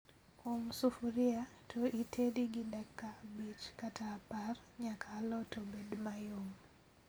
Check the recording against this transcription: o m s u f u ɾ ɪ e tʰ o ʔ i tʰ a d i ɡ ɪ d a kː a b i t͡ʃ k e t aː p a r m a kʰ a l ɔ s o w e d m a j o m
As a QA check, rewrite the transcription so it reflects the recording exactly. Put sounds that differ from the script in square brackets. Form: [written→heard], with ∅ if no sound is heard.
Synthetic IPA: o m s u f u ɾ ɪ [e→a] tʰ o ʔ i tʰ [a→e] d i ɡ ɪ d a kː a b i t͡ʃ k [e→a] t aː p a r [m→ɲ] a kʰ a l ɔ [s→t] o [w→b] e d m a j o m